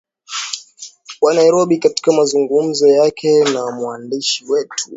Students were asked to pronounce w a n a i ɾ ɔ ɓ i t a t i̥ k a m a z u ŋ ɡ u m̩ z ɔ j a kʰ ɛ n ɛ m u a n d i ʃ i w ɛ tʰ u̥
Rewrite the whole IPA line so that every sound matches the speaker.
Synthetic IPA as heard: w a n a i ɾ ɔ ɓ i k a t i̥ k a m a z u ŋ ɡ u m̩ z ɔ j a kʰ ɛ n a m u a n d i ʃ i w ɛ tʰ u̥